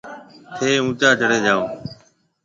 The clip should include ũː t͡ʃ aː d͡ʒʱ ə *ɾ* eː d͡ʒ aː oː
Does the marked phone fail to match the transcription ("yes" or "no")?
yes